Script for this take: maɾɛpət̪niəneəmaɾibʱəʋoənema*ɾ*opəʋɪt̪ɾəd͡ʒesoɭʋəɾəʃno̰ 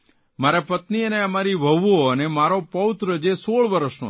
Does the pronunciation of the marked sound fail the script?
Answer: no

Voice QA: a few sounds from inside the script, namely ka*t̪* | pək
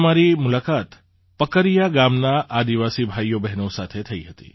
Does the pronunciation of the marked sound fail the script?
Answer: no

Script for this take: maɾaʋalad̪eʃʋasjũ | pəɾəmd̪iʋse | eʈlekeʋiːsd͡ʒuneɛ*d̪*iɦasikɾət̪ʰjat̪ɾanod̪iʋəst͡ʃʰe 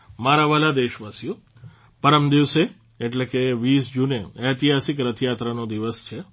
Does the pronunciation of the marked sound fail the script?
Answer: yes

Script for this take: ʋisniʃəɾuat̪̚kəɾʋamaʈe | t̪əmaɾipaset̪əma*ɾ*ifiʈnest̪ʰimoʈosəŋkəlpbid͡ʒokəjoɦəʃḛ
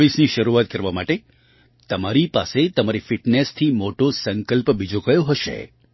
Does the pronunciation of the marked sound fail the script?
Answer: no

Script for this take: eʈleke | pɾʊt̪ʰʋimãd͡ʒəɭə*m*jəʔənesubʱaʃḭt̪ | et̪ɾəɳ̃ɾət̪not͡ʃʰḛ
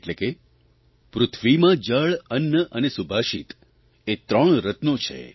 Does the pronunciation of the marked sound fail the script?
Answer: yes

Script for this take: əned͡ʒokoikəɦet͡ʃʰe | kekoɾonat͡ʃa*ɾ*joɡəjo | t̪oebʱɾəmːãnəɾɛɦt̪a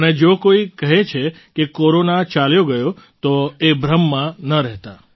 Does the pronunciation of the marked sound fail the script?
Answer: yes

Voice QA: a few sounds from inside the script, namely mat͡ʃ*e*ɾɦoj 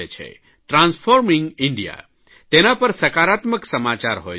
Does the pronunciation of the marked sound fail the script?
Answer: yes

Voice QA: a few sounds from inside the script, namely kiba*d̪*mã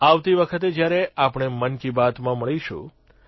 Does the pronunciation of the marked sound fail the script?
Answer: yes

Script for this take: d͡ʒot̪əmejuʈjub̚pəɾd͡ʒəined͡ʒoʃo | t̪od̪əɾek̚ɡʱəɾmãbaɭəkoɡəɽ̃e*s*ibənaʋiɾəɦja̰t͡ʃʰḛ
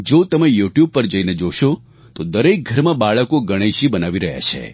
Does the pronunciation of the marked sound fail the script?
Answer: yes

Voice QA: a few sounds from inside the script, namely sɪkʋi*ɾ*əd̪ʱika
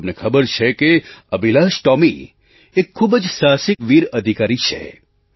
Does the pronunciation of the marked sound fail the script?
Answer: no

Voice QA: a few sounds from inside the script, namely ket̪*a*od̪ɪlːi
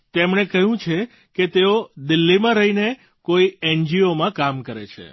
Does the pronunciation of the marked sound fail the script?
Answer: yes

